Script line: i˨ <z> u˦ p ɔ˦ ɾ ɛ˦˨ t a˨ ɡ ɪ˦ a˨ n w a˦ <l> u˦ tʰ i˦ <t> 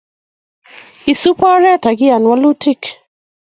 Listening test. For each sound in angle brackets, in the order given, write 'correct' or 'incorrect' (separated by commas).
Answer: incorrect, correct, incorrect